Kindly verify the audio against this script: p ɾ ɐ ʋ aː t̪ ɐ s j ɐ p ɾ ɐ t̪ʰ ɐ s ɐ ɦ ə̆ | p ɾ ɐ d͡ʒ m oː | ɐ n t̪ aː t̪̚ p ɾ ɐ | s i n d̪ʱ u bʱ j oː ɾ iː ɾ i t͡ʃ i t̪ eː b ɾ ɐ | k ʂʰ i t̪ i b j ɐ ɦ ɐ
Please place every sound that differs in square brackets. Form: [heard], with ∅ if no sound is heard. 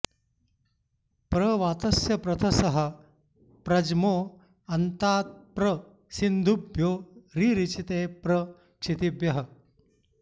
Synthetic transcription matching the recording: p ɾ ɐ ʋ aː t̪ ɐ s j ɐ p ɾ ɐ t̪ʰ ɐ s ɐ ɦ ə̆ | p ɾ ɐ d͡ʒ m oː | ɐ n t̪ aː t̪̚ p ɾ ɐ | s i n d̪ʱ u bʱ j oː ɾ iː ɾ i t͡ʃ i t̪ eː [p] ɾ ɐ | k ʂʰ i t̪ i b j ɐ ɦ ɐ